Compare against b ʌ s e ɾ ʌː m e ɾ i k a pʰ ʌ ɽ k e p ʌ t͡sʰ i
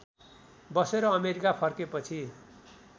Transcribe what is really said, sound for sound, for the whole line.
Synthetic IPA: b ʌ s e ɾ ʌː m e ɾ i k a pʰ ʌ r k e p ʌ t͡sʰ i